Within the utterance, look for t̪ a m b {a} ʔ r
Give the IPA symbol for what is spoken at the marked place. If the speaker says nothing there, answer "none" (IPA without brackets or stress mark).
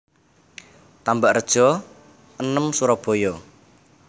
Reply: a